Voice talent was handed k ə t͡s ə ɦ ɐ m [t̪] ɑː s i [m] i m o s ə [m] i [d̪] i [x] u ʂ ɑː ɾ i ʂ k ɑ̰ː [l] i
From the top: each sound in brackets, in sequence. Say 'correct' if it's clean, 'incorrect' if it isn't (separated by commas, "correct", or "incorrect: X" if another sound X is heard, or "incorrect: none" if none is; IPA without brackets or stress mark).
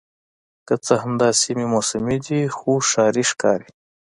incorrect: d̪, correct, correct, correct, correct, incorrect: ɾ